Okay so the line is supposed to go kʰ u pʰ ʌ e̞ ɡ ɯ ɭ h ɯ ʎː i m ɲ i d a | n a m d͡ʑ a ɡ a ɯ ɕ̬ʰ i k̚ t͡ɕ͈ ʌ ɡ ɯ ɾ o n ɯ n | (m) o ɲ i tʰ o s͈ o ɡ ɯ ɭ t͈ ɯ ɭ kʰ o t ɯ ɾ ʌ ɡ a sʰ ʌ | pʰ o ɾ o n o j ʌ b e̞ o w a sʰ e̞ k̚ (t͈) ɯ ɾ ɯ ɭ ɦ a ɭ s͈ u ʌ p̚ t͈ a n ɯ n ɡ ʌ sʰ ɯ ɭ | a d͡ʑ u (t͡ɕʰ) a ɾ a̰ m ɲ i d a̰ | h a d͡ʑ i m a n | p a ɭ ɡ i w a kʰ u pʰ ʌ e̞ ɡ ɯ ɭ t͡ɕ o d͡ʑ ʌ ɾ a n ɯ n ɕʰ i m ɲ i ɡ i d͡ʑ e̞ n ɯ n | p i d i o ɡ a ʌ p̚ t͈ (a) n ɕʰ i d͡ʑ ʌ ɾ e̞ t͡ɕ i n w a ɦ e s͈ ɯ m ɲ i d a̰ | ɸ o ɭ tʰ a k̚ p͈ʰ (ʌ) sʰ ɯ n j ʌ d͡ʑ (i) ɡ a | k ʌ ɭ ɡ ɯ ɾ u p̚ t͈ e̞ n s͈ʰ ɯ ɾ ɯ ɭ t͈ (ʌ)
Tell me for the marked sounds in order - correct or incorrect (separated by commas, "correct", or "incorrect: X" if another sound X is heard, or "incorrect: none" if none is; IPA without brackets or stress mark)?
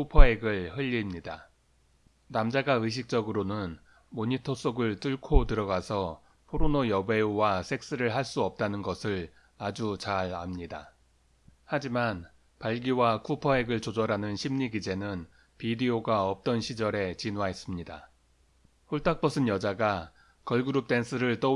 correct, incorrect: s͈, incorrect: t͡ɕ, incorrect: ʌ, correct, incorrect: a, correct